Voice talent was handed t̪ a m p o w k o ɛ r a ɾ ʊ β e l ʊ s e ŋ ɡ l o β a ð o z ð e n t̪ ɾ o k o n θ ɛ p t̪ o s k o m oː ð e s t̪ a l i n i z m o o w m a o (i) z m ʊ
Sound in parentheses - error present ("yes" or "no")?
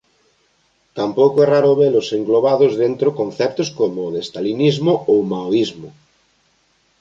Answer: no